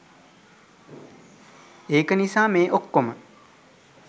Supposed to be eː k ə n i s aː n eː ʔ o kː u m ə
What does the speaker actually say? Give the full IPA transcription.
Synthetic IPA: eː k ə n i s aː m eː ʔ o kː o m ə